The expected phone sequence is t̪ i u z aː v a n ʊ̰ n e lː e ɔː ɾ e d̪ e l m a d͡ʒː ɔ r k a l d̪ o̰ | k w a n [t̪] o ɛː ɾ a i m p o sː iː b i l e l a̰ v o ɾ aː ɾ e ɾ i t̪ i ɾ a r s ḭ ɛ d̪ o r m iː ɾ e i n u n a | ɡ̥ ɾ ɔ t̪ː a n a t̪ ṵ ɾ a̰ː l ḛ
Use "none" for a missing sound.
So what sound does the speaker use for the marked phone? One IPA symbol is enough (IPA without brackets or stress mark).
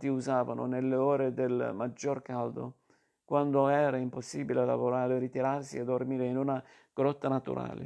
d̪